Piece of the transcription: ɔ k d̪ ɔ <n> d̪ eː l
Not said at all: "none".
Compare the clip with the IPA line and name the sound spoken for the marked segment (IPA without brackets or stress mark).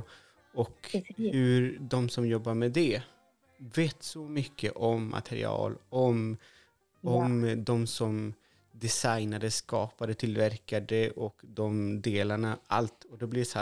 m